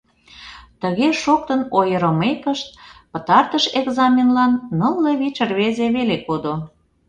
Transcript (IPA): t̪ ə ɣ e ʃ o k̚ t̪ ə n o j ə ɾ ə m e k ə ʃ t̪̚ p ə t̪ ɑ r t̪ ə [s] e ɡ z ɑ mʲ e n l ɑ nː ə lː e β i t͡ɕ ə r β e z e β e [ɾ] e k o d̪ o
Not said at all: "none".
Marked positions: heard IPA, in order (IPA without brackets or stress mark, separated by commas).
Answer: ʃ, l